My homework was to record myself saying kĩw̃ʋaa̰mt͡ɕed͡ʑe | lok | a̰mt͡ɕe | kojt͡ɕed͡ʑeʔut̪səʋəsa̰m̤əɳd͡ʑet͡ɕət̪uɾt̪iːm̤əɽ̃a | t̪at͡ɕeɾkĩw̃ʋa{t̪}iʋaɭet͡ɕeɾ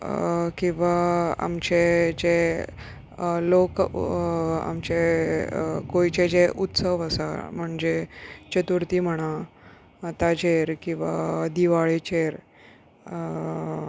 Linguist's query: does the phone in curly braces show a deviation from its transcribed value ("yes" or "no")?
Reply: yes